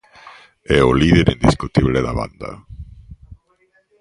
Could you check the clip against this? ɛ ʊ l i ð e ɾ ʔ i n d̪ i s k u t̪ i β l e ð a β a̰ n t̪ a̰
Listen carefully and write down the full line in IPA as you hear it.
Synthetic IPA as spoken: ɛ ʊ l i ð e ɾ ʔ i n d̪ i s k u t̪ i β l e ð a β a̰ n d̪ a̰